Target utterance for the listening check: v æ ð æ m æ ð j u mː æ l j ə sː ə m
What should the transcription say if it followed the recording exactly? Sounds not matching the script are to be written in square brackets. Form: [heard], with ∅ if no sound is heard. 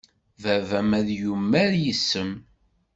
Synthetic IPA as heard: v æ [v] æ m æ ð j u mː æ [ɾ] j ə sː ə m